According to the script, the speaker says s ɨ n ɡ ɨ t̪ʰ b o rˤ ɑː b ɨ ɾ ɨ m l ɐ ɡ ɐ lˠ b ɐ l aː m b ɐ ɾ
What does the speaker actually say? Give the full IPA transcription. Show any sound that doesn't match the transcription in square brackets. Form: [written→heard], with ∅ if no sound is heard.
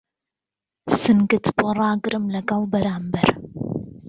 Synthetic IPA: s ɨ n ɡ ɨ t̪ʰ b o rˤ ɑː [b→ɡ] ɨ ɾ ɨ m l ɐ ɡ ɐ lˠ b ɐ [l→ɾ] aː m b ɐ ɾ

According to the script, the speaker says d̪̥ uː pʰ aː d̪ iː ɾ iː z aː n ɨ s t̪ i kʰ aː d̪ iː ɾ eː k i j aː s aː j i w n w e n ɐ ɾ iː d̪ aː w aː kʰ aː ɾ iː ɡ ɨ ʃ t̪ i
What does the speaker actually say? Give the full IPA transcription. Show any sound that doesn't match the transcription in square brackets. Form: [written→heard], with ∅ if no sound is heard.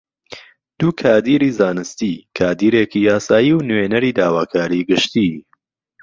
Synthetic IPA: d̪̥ uː [pʰ→kʰ] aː d̪ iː ɾ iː z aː n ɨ s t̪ i kʰ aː d̪ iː ɾ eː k i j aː s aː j i w n w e n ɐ ɾ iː d̪ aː w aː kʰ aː ɾ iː ɡ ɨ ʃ t̪ i

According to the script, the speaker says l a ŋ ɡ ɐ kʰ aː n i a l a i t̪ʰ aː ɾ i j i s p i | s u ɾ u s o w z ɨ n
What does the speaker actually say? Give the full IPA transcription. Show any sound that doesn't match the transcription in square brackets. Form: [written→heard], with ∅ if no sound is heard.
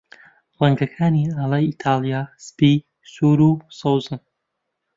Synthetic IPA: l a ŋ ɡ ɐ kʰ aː n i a l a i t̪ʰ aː [ɾ→l] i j [i→a] s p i | s u ɾ u s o w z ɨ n

